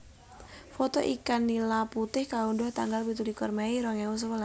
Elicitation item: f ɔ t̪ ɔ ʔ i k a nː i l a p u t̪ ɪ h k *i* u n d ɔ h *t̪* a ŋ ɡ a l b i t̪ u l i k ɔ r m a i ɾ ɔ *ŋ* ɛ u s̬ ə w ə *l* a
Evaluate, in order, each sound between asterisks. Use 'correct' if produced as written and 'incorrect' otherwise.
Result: incorrect, correct, correct, correct

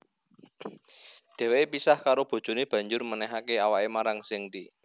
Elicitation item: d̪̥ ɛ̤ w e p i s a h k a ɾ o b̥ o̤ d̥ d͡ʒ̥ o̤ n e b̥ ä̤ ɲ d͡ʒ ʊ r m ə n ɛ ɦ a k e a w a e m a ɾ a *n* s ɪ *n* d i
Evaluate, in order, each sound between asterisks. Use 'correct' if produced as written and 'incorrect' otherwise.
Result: incorrect, incorrect

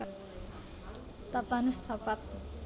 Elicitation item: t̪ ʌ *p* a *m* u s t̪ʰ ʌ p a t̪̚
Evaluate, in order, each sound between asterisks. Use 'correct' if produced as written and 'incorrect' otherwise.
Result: correct, incorrect

